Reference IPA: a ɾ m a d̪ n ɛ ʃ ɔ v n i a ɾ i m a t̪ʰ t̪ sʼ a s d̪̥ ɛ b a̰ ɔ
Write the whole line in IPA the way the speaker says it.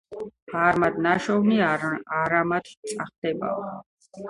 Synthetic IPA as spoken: a ɾ m a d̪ n a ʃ ɔ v n i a ɾ a m a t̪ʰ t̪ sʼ a χ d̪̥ ɛ b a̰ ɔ